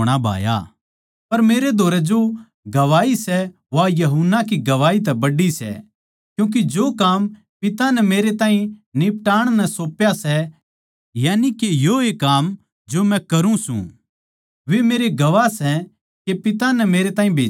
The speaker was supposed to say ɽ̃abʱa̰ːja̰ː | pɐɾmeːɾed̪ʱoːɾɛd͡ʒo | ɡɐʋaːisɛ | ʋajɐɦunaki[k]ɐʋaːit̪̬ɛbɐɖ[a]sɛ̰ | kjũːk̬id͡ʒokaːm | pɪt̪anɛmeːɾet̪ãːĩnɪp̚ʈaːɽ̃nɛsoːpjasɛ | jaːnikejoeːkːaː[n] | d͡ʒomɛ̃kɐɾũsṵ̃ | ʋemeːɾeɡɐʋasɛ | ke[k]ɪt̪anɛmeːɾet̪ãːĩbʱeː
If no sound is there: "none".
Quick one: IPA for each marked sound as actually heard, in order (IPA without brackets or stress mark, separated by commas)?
ɡ, i, m, p